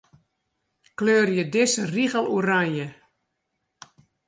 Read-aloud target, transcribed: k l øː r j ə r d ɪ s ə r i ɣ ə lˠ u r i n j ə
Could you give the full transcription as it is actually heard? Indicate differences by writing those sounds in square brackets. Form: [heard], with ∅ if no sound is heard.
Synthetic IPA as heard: k l øː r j ə [∅] d ɪ s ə r i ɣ ə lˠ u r [a] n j ə